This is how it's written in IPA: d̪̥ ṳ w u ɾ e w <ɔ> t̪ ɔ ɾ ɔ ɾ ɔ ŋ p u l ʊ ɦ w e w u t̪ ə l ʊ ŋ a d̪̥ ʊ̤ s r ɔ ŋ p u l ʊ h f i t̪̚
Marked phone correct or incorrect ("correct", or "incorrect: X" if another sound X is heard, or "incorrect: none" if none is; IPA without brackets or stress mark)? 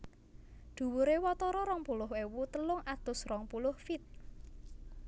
correct